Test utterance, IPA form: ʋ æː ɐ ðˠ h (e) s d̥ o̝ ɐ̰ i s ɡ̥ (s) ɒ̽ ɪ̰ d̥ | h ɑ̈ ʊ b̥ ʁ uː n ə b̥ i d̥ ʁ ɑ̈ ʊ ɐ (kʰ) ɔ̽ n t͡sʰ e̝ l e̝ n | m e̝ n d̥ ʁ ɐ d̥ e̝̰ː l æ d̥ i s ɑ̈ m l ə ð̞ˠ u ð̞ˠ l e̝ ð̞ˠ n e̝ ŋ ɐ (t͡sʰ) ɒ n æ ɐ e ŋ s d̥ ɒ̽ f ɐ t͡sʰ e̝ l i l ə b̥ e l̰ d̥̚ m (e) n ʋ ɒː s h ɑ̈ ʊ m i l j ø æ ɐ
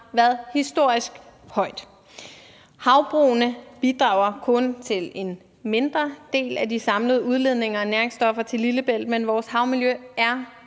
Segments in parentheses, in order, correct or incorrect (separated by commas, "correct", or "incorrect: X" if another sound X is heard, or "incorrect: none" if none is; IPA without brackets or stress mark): incorrect: i, incorrect: h, correct, incorrect: none, correct